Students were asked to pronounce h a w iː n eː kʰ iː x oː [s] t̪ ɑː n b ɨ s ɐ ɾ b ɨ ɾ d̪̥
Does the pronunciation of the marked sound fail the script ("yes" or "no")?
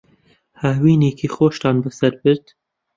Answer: yes